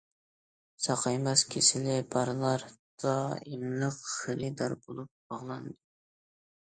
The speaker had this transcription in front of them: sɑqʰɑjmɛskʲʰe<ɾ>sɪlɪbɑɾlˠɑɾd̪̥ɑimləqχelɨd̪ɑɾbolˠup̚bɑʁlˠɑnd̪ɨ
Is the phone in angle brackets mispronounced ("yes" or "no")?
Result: yes